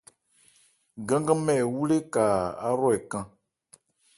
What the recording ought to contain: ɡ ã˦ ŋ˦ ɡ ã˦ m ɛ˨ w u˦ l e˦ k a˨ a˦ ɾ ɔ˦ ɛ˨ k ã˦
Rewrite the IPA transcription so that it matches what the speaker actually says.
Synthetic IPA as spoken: ɡ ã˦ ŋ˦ ɡ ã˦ m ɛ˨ w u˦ l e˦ k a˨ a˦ ɾ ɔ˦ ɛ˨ k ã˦